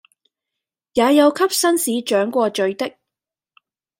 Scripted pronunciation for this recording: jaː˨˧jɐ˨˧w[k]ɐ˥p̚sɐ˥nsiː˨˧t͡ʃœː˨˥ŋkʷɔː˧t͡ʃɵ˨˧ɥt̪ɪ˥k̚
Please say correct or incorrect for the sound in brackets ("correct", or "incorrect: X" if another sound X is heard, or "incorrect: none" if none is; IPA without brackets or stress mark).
incorrect: kʰ